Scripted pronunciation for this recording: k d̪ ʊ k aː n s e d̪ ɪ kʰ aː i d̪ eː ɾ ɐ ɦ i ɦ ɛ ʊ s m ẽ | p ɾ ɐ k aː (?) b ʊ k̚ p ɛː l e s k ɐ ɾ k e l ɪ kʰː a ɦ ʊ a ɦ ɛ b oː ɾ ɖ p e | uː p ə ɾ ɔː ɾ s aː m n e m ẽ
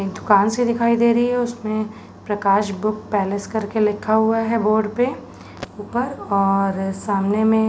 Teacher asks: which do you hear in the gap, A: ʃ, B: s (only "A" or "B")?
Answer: A